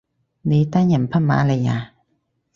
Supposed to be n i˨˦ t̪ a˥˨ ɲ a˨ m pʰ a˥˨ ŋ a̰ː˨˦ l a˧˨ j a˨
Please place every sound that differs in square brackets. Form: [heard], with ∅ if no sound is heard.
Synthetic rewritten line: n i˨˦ t̪ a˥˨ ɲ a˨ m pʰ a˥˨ [m] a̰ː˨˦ l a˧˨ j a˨